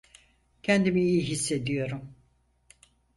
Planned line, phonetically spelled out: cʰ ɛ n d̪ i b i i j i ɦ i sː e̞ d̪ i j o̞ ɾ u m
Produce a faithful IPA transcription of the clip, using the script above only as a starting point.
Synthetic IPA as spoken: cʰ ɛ n d̪ i m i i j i ɦ i sː e̞ d̪ i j o̞ ɾ u m